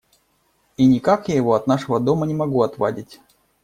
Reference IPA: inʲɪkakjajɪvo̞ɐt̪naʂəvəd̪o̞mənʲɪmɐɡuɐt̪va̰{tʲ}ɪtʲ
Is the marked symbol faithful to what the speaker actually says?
no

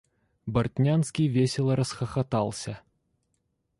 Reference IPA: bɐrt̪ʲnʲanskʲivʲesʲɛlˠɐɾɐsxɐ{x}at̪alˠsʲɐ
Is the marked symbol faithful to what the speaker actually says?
yes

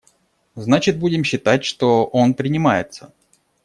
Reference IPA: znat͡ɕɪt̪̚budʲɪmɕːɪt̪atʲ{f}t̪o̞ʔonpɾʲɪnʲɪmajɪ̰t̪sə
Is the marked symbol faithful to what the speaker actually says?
no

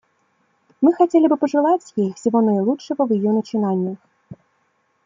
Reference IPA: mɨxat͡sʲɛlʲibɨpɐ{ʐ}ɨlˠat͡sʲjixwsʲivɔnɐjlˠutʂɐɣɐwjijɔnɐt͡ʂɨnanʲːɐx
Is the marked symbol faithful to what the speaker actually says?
yes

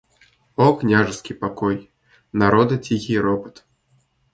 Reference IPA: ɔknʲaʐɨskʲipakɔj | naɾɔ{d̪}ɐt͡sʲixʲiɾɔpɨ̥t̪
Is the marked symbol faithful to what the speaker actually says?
yes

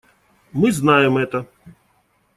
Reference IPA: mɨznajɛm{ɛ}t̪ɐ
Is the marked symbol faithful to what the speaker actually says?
yes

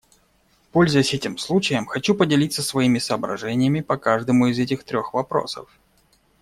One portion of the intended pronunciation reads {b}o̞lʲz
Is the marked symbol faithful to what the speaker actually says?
no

